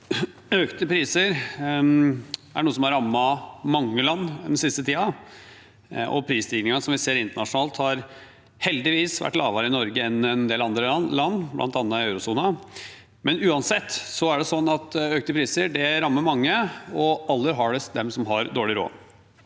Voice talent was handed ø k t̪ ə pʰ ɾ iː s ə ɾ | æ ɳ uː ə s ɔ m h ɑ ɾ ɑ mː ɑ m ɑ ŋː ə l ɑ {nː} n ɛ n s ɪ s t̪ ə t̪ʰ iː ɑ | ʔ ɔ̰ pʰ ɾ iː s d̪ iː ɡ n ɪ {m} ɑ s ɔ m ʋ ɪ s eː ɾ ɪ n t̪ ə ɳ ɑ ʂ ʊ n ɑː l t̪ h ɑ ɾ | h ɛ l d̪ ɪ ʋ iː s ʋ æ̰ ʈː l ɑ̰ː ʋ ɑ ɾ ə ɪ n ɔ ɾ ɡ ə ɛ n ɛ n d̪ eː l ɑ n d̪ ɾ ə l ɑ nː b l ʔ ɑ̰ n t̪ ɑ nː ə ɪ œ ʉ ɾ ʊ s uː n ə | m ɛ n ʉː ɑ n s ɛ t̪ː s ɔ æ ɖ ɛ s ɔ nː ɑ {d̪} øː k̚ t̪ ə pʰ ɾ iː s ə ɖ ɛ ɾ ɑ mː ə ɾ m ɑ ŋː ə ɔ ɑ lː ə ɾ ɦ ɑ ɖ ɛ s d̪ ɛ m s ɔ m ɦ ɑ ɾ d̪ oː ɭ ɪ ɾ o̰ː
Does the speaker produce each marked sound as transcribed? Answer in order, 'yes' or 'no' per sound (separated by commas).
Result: yes, no, no